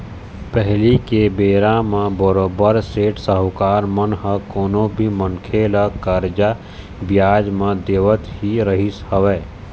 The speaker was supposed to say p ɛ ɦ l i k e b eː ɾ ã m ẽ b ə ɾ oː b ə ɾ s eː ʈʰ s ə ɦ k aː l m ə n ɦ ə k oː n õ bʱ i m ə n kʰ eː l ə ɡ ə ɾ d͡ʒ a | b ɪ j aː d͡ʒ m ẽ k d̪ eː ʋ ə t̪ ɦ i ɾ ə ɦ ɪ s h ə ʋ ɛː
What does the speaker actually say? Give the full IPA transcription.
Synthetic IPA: p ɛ ɦ l i k e b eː ɾ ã m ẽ b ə ɾ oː b ə ɾ s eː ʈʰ s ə ɦ k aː ɾ m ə n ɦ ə k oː n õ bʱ i m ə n kʰ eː l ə k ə ɾ d͡ʒ a | b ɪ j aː d͡ʒ m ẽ d̪ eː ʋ ə t̪ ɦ i ɾ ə ɦ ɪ s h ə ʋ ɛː